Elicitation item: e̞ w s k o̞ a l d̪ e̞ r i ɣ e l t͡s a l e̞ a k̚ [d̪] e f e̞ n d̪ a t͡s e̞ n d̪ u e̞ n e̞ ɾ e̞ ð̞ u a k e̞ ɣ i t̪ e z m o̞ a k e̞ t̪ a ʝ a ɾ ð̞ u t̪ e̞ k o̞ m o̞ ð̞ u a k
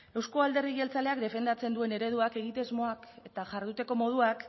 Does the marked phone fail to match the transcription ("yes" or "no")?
no